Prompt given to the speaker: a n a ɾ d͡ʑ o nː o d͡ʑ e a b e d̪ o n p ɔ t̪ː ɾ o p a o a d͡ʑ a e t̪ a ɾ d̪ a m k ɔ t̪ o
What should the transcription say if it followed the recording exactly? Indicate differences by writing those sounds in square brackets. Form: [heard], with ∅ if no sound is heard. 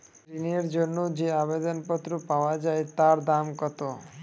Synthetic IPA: [i] n [e] ɾ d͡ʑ o nː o d͡ʑ e a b e d̪ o n p ɔ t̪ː ɾ o p a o a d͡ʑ a e t̪ a ɾ d̪ a m k ɔ t̪ o

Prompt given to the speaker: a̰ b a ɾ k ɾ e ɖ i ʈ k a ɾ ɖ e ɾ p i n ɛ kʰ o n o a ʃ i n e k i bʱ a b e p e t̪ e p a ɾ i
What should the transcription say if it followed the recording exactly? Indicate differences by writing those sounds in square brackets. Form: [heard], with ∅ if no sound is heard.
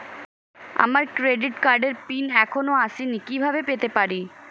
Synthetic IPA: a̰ [m] a ɾ k ɾ e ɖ i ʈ k a ɾ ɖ e ɾ p i n ɛ kʰ o n o a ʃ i n [i] k i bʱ a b e p e t̪ e p a ɾ i

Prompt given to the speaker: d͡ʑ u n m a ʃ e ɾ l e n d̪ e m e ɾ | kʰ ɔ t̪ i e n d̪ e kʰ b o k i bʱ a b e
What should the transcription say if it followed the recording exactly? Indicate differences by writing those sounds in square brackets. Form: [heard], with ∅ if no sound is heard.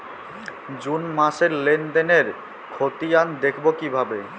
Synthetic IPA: d͡ʑ u n m a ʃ e ɾ l e n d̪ e [n] e ɾ | kʰ [o] t̪ i [a] n d̪ e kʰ b o k i bʱ a b e

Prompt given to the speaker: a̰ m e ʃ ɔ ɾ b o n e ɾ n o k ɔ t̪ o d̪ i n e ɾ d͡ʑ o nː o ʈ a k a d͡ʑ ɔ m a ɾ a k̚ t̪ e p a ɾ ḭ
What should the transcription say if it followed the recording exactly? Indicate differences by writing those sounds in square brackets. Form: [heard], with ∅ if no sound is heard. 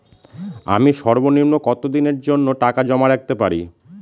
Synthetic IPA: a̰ m [i] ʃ ɔ ɾ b o n [i] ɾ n o k ɔ t̪ o d̪ i n e ɾ d͡ʑ o nː o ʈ a k a d͡ʑ ɔ m a ɾ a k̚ t̪ e p a ɾ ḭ

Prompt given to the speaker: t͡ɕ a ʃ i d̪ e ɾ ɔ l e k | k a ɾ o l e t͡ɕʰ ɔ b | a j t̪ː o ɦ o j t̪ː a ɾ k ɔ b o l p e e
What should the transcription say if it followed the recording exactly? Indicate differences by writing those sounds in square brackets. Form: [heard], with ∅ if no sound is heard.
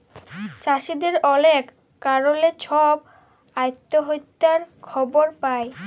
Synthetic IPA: t͡ɕ a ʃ i d̪ e ɾ ɔ l e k | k a ɾ o l e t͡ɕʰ ɔ b | a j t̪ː o ɦ o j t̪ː a ɾ [kʰ] ɔ b o [ɾ] p [a] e

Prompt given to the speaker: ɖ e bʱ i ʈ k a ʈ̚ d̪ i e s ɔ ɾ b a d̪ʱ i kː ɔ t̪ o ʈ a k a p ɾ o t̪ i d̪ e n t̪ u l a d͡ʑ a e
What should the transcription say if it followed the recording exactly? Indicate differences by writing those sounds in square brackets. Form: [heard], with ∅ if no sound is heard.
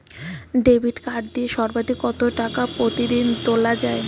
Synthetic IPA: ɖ e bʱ i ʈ k a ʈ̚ d̪ i e [ʃ] ɔ ɾ b a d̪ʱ i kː ɔ t̪ o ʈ a k a p ɾ o t̪ i d̪ [i] n t̪ [o] l a d͡ʑ a e

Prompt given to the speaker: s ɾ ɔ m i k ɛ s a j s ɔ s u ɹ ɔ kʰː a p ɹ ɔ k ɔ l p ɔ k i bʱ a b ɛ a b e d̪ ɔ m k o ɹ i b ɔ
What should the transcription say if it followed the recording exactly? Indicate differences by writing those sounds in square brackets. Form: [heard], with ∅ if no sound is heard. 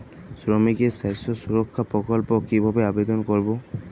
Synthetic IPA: s [ɹ] ɔ m i k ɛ s a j s ɔ s u ɹ ɔ kʰː a p ɹ ɔ k ɔ l p ɔ k i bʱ a b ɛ a b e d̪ ɔ [n] k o ɹ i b ɔ

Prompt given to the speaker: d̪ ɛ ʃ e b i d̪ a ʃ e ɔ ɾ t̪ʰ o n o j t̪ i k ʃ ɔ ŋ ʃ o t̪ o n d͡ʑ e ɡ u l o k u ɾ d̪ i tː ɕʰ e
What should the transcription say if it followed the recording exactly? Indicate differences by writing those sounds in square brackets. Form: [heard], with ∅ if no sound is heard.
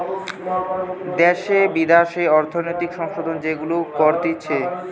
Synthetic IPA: d̪ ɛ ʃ e b i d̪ a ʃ e ɔ ɾ t̪ʰ o n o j t̪ i k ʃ ɔ ŋ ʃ o [d̪] o n d͡ʑ e ɡ u l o k [ɔ] ɾ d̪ i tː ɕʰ e

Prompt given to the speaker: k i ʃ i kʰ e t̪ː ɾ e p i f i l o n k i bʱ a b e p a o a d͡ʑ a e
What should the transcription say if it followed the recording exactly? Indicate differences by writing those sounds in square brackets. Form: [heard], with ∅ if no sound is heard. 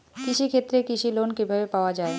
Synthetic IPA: k i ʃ i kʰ e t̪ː ɾ e [k] i [ʃ] i l o n k i bʱ a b e p a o a d͡ʑ a e

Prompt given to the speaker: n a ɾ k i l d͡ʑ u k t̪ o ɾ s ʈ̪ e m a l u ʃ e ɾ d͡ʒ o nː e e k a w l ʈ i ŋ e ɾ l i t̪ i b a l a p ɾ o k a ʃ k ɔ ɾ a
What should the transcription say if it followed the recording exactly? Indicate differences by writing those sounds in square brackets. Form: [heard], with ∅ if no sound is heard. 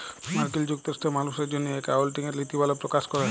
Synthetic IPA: [m] a ɾ k i l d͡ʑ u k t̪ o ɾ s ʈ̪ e m a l u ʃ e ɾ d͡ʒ o nː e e k a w l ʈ i ŋ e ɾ l i t̪ i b a l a p ɾ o k a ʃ k ɔ ɾ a

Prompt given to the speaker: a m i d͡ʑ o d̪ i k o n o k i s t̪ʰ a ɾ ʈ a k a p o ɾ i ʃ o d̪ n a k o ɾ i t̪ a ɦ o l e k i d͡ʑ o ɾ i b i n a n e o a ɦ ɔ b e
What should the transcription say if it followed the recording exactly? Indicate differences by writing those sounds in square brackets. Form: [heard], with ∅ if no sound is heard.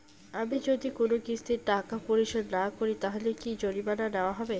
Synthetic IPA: a m i d͡ʑ o d̪ i k o n o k i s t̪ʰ [i] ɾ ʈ a k a p o ɾ i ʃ o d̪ n a k o ɾ i t̪ a ɦ o l e k i d͡ʑ o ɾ i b [a] n a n e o a ɦ ɔ b e

